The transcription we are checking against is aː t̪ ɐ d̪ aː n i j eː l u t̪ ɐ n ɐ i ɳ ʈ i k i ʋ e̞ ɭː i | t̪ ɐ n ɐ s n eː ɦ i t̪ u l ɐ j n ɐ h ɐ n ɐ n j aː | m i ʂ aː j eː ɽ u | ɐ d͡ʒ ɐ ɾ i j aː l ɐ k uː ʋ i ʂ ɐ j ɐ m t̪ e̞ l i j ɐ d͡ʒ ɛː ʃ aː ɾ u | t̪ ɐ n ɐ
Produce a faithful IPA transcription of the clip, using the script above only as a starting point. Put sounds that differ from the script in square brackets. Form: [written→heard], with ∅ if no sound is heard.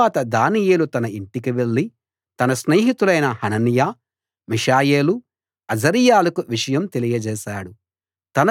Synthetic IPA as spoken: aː t̪ ɐ d̪ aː n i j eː l u t̪ ɐ n ɐ i ɳ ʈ i k i ʋ e̞ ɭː i | t̪ ɐ n ɐ s n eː ɦ i t̪ u l ɐ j n ɐ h ɐ n ɐ n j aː | m i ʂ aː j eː [ɽ→l] u | ɐ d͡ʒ ɐ ɾ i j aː l ɐ k [uː→u] ʋ i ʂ ɐ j ɐ m t̪ e̞ l i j ɐ d͡ʒ ɛː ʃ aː [ɾ→ɽ] u | t̪ ɐ n ɐ

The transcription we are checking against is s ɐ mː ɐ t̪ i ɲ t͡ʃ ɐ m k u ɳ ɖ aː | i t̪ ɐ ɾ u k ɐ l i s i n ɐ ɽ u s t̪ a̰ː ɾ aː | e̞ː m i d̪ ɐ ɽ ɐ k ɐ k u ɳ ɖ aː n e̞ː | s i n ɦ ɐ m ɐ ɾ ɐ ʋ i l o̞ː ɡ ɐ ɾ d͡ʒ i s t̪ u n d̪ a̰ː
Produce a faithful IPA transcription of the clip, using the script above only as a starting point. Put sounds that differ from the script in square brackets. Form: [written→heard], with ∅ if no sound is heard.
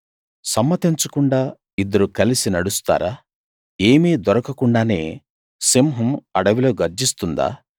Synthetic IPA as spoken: s ɐ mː ɐ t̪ i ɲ t͡ʃ ɐ [m→∅] k u ɳ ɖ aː | i [t̪→d̪] ɐ ɾ u k ɐ l i s i n ɐ ɽ u s t̪ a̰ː ɾ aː | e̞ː m i d̪ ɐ [ɽ→ɾ] ɐ k ɐ k u ɳ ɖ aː n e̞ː | s i [n→m] ɦ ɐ m ɐ [ɾ→ɽ] ɐ ʋ i l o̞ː ɡ ɐ ɾ d͡ʒ i s t̪ u n d̪ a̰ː

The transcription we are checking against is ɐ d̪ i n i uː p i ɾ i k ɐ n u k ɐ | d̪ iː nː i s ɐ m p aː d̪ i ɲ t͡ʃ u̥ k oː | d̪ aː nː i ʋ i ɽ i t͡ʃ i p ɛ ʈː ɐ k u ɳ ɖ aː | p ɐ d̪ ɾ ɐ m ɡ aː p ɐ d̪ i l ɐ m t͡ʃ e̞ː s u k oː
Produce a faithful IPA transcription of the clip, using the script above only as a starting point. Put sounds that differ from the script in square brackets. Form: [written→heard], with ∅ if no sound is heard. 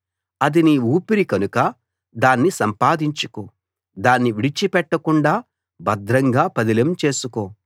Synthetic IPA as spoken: ɐ d̪ i n i uː p i ɾ i k ɐ n u k ɐ | d̪ [iː→aː] nː i s ɐ m p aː d̪ i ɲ t͡ʃ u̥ k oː | d̪ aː nː i ʋ i ɽ i t͡ʃ i p ɛ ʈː ɐ k u ɳ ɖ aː | [p→b] ɐ d̪ ɾ ɐ [m→ŋ] ɡ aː p ɐ d̪ i l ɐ m t͡ʃ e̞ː s u k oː

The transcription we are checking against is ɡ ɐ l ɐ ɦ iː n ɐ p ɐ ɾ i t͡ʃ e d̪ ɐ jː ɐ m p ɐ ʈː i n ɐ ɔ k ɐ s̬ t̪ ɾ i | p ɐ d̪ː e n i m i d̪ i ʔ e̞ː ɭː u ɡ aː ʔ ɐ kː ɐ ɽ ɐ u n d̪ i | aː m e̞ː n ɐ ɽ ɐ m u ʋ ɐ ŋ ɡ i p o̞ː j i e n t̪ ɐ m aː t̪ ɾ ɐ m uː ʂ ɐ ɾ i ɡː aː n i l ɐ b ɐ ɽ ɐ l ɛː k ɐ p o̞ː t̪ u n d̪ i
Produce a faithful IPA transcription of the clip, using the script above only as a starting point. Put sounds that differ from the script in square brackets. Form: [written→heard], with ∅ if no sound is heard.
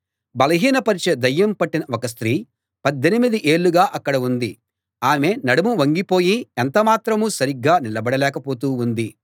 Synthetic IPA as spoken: [ɡ→b] ɐ l ɐ ɦ iː n ɐ p ɐ ɾ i t͡ʃ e d̪ ɐ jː ɐ m p ɐ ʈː i n ɐ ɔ k ɐ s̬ t̪ ɾ [i→iː] | p ɐ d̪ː e n i m i d̪ i ʔ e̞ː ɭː u ɡ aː ʔ ɐ kː ɐ ɽ ɐ u n d̪ i | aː m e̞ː n ɐ ɽ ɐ m u ʋ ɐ ŋ ɡ i p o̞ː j i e n t̪ ɐ m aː t̪ ɾ ɐ m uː [ʂ→s] ɐ ɾ i ɡː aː n i l ɐ b ɐ ɽ ɐ l ɛː k ɐ p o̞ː t̪ [u→uː] n d̪ i

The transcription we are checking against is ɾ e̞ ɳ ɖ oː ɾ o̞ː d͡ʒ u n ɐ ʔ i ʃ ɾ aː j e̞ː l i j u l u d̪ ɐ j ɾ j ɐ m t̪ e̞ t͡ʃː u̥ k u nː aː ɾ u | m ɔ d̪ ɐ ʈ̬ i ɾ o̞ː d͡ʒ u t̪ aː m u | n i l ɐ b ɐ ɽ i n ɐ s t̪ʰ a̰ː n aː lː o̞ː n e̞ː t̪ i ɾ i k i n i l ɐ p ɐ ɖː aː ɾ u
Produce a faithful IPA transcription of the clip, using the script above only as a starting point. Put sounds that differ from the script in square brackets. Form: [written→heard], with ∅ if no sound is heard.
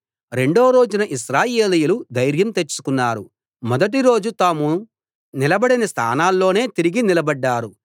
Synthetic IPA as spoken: ɾ e̞ ɳ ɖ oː ɾ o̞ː d͡ʒ u n ɐ ʔ i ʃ ɾ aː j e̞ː l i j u l u d̪ ɐ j ɾ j ɐ m t̪ e̞ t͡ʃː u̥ k u nː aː ɾ u | m ɔ d̪ ɐ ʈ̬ i ɾ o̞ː d͡ʒ u t̪ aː m u | n i l ɐ b ɐ ɽ i n ɐ s t̪ʰ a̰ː n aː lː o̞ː n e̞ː t̪ i ɾ i [k→ɡ] i n i l ɐ [p→b] ɐ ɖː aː ɾ u

